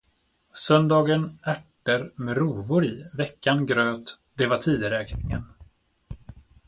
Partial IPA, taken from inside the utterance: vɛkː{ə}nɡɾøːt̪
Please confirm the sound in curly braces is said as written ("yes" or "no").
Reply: no